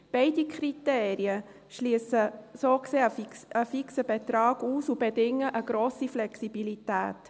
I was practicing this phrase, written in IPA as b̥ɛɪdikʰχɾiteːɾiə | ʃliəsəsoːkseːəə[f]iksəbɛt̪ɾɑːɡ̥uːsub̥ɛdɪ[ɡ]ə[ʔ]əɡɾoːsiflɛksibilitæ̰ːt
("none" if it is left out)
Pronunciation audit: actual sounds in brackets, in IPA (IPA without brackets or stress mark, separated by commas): f, ŋ, ʔ